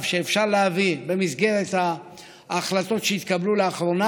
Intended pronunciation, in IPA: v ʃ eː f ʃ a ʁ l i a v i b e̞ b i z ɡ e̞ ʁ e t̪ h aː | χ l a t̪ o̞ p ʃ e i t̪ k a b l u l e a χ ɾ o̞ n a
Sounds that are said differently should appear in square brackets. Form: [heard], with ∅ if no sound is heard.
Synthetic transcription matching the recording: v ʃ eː f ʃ a ʁ l [e] a v i b e̞ [m] i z ɡ e̞ ʁ e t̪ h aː | χ l a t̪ o̞ [t] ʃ e i t̪ k a b l u l e a χ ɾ o̞ n a